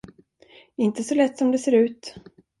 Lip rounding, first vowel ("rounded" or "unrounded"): unrounded